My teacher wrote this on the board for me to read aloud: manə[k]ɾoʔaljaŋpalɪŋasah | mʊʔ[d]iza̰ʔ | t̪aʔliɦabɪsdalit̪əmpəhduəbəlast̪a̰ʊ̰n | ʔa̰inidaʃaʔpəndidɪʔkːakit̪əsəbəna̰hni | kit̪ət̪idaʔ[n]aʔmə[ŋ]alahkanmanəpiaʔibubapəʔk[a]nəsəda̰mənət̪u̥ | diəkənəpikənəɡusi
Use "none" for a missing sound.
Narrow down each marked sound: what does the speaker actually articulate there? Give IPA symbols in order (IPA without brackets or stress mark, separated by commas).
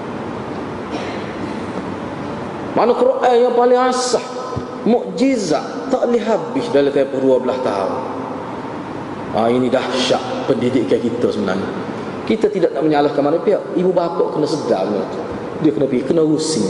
k, d͡ʒ, n, ɲ, ə